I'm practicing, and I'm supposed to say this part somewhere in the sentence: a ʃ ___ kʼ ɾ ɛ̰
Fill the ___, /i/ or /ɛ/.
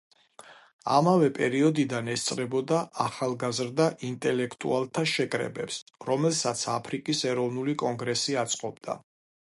ɛ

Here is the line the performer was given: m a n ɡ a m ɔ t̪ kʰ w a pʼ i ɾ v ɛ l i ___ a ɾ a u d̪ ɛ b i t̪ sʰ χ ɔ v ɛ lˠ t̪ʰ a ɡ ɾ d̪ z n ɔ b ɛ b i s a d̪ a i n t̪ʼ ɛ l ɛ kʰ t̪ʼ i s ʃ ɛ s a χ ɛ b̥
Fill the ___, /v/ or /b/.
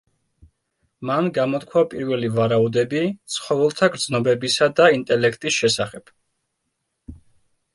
v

